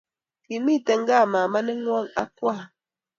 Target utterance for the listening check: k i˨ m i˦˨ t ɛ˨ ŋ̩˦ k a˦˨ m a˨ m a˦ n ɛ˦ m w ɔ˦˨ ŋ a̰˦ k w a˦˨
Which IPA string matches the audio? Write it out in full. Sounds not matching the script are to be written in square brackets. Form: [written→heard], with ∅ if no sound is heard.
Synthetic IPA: k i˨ m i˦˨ t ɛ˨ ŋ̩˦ [k→ɡ] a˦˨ m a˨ m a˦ n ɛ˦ [m→ŋ] w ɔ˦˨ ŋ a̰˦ k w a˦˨